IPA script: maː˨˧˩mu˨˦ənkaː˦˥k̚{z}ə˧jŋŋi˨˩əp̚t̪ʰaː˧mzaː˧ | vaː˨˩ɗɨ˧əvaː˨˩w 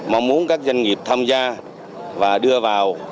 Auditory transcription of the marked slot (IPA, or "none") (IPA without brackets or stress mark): z